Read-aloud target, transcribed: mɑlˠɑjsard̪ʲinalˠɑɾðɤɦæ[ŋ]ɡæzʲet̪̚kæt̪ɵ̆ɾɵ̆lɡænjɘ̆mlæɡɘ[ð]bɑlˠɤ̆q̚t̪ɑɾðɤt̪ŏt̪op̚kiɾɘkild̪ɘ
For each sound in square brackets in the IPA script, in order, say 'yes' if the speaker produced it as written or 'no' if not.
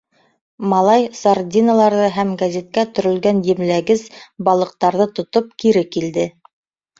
no, no

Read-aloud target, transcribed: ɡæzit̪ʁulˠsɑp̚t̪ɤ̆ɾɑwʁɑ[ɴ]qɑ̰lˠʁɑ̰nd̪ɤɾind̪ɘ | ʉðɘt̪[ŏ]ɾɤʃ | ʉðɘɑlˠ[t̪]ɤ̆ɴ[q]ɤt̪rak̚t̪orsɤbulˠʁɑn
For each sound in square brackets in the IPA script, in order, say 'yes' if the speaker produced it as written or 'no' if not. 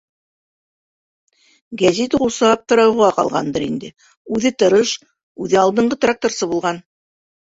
no, no, no, no

